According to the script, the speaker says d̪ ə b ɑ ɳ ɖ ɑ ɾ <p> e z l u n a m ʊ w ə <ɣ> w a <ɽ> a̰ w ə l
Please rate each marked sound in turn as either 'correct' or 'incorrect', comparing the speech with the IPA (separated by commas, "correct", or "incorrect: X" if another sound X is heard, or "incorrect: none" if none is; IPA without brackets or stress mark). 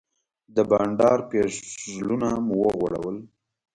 correct, correct, correct